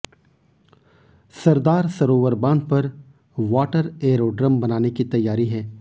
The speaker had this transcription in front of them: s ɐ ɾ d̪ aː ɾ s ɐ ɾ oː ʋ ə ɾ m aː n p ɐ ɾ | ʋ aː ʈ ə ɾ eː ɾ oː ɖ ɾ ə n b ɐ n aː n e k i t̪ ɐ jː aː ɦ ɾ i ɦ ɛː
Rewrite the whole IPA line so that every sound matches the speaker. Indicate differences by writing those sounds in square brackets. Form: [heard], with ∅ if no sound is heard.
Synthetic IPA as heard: s ɐ ɾ d̪ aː ɾ s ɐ ɾ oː ʋ ə ɾ [b] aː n p ɐ ɾ | ʋ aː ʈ ə ɾ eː ɾ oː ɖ ɾ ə [m] b ɐ n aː n e k i t̪ ɐ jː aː [∅] ɾ i ɦ ɛː